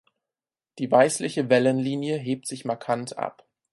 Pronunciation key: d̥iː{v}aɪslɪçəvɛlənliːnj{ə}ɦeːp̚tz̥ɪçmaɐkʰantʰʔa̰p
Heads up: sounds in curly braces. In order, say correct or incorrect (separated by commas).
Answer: correct, correct